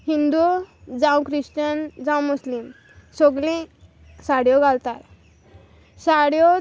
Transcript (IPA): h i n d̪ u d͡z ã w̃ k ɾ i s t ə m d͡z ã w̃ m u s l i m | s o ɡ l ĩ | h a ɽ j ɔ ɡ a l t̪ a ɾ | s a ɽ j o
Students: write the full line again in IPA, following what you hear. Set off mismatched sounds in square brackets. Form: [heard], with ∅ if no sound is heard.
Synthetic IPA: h i n d̪ u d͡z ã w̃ k ɾ i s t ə [n] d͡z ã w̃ m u s l i m | s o ɡ l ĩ | [s] a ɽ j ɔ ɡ a l t̪ a ɾ | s a ɽ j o